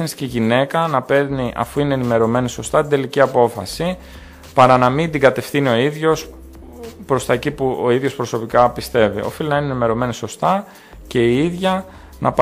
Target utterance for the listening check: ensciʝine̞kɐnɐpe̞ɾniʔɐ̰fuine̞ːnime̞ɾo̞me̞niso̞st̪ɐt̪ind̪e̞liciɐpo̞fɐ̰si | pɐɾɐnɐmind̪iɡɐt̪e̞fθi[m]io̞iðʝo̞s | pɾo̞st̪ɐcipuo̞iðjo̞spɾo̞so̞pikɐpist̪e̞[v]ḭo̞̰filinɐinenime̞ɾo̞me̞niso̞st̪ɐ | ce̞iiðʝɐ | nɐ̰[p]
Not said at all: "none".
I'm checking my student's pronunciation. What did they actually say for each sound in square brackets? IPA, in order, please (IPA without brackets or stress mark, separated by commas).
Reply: n, v, p